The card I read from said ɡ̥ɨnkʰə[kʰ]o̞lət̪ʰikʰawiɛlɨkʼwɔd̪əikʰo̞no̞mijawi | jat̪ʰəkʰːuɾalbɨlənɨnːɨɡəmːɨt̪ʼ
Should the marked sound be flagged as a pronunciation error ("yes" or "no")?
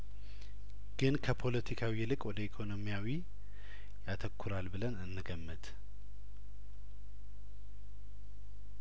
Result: yes